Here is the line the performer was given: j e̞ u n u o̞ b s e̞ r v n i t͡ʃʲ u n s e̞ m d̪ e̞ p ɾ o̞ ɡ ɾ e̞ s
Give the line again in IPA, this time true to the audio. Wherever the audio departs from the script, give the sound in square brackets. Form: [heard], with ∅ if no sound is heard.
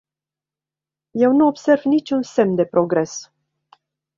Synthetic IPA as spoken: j e̞ [w] n u o̞ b s e̞ r v n i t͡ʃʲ u n s e̞ m d̪ e̞ p ɾ o̞ ɡ ɾ e̞ s